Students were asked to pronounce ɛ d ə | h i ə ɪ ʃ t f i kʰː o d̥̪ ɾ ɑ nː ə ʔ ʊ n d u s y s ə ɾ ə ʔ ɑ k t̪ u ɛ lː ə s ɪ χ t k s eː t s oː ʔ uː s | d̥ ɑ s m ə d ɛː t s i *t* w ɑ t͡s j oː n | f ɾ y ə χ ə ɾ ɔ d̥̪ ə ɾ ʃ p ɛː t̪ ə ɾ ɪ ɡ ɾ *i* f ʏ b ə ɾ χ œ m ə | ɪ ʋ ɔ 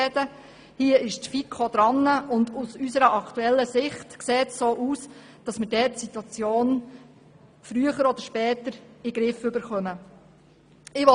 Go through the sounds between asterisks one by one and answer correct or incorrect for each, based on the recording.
correct, incorrect: ɪ

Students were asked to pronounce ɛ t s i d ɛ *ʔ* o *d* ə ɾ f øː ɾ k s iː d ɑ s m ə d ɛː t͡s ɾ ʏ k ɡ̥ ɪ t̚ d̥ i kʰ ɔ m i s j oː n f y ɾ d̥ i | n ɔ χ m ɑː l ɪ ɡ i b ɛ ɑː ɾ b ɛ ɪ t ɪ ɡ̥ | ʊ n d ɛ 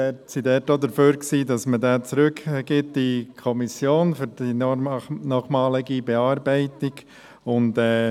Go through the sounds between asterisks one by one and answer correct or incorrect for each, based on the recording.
incorrect: t, correct

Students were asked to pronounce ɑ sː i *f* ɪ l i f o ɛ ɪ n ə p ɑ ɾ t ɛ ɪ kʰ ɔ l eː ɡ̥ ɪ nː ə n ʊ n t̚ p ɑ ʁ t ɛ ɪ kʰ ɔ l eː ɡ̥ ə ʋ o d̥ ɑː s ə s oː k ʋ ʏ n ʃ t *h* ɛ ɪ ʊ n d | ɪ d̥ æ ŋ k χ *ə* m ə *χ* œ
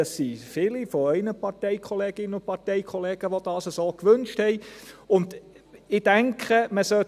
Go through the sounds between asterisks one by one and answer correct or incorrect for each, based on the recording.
correct, correct, correct, incorrect: s

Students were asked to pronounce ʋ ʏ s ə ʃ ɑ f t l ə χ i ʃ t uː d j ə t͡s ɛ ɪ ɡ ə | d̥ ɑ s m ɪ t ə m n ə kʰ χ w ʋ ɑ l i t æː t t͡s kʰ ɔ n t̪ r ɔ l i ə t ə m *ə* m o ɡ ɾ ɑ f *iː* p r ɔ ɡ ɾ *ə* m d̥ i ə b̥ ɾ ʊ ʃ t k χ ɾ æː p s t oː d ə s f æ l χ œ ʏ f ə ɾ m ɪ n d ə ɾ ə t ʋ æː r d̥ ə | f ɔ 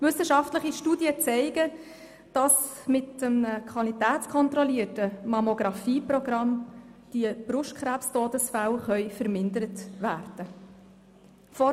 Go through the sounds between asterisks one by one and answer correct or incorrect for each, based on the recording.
incorrect: ɑ, correct, incorrect: ɑ

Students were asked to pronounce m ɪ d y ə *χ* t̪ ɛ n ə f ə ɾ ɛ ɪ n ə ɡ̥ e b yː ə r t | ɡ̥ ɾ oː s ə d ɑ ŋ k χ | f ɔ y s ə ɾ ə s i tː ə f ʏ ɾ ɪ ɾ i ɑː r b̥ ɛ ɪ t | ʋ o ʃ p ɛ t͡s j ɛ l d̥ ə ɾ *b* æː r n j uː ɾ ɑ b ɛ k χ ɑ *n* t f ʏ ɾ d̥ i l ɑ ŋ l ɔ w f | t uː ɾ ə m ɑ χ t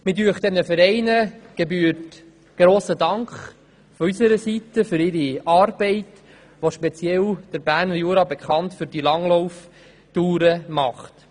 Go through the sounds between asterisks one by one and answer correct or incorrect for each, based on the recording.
correct, correct, correct

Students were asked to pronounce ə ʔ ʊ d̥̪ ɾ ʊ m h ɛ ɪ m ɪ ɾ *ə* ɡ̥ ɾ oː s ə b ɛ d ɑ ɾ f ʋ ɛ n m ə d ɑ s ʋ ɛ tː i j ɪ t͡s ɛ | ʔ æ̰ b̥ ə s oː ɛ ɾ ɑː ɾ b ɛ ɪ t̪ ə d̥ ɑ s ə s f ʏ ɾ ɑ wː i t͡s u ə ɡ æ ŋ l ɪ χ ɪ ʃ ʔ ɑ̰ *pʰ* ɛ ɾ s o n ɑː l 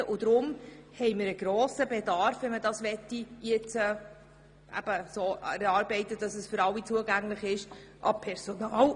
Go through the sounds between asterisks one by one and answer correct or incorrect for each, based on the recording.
correct, correct

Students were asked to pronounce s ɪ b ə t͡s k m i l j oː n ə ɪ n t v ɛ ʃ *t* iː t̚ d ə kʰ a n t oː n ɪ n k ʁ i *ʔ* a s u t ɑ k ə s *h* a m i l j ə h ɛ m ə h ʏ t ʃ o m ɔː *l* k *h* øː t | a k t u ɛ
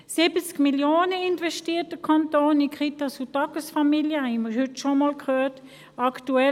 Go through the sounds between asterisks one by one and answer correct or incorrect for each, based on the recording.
correct, incorrect: t, incorrect: f, correct, correct

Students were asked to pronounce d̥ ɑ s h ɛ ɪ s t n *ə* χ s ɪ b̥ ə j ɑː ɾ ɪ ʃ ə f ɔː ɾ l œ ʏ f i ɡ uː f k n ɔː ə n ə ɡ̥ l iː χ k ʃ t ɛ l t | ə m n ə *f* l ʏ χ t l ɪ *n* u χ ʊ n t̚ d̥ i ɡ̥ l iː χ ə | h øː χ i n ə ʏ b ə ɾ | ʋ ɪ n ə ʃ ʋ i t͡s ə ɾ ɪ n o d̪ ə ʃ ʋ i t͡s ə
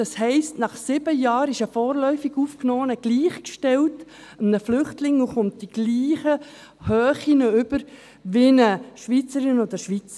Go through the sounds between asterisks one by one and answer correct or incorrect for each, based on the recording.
incorrect: ɑ, correct, incorrect: ŋ

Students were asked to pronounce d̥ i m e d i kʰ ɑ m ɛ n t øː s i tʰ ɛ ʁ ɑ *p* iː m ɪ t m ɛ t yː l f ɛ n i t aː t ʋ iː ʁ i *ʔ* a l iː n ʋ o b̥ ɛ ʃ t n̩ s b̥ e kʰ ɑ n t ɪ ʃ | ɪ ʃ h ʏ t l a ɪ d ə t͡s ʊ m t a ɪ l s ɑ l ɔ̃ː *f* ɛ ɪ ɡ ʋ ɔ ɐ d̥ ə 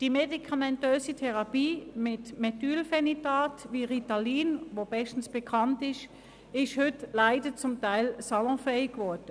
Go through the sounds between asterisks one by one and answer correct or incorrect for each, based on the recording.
correct, incorrect: t, correct

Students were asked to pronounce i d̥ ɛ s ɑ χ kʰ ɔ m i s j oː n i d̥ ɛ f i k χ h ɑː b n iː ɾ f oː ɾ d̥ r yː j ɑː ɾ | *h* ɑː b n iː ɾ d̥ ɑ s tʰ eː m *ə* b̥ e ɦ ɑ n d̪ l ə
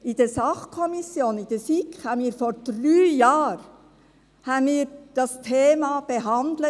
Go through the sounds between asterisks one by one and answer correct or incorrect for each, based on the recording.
correct, incorrect: ɑ

